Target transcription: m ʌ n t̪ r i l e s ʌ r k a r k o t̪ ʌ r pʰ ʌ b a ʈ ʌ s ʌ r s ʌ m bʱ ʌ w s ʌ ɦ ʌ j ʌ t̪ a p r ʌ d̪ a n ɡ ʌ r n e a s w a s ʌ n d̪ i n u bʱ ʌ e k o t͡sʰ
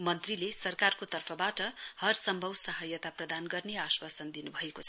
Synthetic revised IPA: m ʌ n t̪ r i l e s ʌ r k a r k o t̪ ʌ r pʰ ʌ b a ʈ ʌ h ʌ r s ʌ m bʱ ʌ w s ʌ ɦ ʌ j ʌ t̪ a p r ʌ d̪ a n ɡ ʌ r n e a s w a s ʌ n d̪ i n u bʱ ʌ e k o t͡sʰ